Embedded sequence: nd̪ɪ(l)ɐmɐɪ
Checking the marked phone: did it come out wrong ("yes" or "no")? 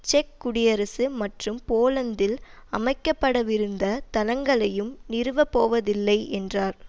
no